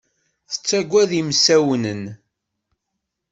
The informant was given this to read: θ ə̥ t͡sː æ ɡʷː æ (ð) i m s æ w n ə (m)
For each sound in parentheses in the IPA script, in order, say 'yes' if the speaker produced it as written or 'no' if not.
yes, no

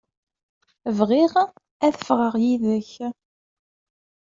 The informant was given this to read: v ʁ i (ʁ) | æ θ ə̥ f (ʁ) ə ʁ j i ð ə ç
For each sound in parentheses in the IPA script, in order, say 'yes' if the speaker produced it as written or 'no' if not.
yes, yes

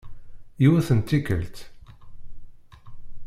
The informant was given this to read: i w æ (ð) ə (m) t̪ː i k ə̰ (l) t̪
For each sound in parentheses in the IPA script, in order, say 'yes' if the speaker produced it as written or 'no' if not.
no, no, yes

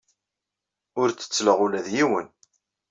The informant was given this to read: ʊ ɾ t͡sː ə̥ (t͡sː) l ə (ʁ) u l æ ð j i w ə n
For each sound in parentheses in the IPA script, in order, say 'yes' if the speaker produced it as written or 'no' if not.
yes, yes

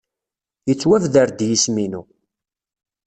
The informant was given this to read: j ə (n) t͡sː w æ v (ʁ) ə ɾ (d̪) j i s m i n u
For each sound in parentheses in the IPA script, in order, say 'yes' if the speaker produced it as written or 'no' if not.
no, no, yes

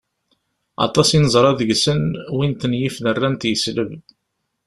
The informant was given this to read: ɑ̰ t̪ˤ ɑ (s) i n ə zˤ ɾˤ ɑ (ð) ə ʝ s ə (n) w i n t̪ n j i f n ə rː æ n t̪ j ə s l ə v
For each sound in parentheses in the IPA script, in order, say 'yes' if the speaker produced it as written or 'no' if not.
yes, yes, yes

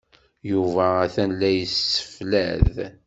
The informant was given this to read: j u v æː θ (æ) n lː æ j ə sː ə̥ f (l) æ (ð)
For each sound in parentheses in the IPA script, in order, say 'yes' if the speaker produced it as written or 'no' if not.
yes, yes, yes

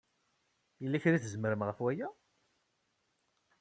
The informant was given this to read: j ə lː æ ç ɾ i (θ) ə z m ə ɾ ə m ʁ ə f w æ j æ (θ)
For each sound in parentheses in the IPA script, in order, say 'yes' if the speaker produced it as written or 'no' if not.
yes, no

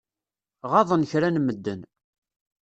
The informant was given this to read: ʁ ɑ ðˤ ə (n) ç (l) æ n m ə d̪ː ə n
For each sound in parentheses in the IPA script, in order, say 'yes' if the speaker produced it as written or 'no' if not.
yes, no

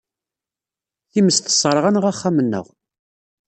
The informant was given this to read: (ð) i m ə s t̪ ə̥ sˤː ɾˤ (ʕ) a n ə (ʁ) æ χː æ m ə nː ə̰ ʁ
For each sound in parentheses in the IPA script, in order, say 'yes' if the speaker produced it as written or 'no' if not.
no, no, yes

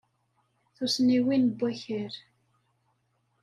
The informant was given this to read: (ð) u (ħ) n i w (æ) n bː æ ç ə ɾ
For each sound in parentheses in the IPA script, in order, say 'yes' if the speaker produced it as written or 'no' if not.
no, no, no

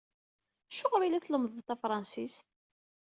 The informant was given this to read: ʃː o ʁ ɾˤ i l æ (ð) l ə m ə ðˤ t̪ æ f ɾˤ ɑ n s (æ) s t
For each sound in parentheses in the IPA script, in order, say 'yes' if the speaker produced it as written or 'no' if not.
no, no

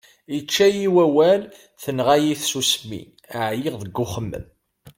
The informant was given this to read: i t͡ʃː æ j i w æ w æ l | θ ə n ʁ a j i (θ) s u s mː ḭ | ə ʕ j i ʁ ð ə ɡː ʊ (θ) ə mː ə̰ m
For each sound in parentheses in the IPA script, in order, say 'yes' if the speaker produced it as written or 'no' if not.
yes, no

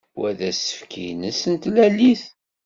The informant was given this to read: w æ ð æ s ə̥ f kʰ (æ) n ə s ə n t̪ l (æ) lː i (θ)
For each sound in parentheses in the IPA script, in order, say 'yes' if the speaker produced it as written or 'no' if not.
no, yes, yes

